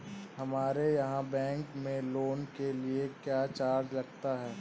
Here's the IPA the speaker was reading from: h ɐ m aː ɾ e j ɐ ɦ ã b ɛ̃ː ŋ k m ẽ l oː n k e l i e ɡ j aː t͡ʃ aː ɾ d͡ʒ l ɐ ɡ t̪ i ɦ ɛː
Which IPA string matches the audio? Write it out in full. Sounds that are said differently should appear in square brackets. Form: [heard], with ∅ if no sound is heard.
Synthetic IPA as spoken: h ɐ m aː ɾ e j ɐ ɦ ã b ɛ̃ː ŋ k m ẽ l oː n k e l i e [k] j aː t͡ʃ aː ɾ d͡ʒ l ɐ ɡ t̪ [a] ɦ ɛː